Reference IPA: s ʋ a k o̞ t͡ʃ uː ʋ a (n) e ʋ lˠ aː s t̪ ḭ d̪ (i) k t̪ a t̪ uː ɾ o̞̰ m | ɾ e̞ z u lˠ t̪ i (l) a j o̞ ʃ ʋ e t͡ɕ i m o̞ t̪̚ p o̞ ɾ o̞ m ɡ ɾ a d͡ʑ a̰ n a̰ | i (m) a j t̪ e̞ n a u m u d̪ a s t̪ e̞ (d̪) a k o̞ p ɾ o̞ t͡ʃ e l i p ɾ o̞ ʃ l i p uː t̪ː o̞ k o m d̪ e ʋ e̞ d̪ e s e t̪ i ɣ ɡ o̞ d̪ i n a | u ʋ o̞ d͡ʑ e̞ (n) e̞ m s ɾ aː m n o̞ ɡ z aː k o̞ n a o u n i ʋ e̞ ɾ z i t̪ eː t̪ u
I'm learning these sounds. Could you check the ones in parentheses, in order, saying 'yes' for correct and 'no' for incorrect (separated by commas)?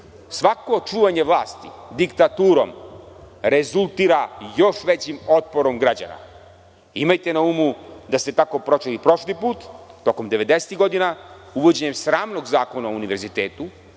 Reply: no, yes, no, yes, no, no